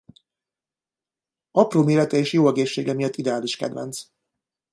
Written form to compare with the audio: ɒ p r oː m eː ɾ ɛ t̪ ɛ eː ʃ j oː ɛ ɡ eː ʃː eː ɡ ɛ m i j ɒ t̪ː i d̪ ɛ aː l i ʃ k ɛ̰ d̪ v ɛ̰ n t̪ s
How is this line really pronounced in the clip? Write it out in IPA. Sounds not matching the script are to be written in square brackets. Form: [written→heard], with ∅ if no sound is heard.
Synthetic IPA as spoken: ɒ p r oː m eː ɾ ɛ t̪ ɛ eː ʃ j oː ɛ ɡ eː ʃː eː ɡ ɛ m i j ɒ t̪ː i d̪ ɛ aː l i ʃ k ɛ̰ d̪ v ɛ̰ n t̪ s